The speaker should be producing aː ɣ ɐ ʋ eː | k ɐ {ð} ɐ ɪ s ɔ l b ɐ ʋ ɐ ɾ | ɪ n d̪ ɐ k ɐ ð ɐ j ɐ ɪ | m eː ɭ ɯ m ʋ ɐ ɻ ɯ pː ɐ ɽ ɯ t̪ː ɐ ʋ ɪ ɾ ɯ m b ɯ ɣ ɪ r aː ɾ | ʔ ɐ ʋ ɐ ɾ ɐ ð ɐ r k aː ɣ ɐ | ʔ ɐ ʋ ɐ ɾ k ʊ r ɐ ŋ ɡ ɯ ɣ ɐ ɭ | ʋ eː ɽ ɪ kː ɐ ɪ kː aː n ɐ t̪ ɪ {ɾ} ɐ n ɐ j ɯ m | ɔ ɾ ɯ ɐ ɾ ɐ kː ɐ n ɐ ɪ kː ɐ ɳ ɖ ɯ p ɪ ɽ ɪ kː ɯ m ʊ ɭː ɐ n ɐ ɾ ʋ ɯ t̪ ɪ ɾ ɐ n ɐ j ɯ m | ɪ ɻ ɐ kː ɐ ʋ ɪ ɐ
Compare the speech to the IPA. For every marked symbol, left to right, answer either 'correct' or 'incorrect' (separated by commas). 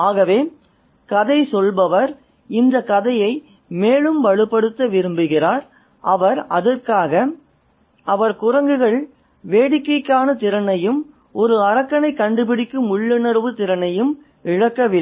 correct, correct